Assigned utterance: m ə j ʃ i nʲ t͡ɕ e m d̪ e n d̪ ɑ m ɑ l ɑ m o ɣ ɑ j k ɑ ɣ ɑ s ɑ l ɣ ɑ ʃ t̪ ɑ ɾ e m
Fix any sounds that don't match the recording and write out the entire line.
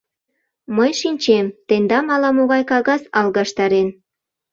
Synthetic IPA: m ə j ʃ i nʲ t͡ɕ e m t̪ e n d̪ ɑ m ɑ l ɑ m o ɣ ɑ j k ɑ ɣ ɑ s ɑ l ɣ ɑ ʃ t̪ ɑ ɾ e n